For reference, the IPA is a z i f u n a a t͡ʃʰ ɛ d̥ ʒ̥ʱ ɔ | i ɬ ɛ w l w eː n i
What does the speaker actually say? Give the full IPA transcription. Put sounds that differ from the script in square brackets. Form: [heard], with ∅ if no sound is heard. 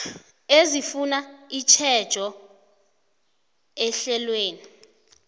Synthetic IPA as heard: [e] z i f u n a [i] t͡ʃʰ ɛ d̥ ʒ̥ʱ ɔ | [ɛ] ɬ ɛ [∅] l w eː n i